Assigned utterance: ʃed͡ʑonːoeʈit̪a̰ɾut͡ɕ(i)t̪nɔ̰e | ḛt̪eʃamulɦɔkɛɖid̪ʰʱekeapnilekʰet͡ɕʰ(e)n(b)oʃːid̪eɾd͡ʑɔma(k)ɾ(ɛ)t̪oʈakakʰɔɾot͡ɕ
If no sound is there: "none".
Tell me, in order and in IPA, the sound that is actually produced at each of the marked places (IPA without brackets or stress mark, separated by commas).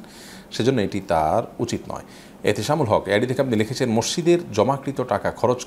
i, e, m, k, i